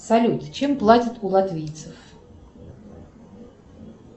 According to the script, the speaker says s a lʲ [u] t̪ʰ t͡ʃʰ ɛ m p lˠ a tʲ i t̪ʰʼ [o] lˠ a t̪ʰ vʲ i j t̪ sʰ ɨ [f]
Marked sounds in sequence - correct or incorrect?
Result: correct, incorrect: u, correct

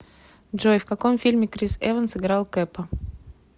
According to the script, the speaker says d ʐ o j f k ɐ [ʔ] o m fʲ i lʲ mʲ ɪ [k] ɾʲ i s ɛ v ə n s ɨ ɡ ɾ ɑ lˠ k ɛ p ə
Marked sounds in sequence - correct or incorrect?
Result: incorrect: k, correct

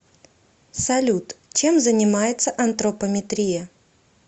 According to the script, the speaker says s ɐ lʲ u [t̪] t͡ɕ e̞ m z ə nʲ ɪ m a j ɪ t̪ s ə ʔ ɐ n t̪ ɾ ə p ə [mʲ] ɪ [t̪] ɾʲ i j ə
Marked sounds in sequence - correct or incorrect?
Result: correct, correct, correct

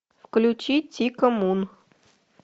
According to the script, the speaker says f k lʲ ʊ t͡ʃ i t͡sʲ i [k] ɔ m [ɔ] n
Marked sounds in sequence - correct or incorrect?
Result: correct, incorrect: u

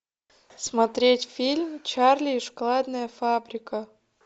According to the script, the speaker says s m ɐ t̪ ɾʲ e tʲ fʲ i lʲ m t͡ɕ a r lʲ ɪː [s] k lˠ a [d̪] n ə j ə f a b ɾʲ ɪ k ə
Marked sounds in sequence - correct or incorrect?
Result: incorrect: ʂ, correct

